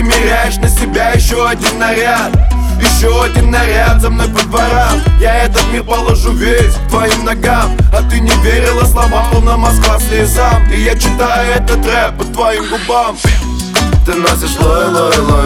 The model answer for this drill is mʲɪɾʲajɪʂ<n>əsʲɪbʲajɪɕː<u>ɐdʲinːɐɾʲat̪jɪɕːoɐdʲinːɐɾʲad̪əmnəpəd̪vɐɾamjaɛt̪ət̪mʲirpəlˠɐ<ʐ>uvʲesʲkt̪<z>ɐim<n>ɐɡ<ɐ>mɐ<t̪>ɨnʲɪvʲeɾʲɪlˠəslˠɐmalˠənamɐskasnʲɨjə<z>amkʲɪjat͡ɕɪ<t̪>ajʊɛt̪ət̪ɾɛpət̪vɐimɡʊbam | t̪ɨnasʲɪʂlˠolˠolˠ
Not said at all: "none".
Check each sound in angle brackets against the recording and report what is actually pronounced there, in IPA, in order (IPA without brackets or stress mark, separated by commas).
n, o, ʐ, v, n, a, t̪, z, t̪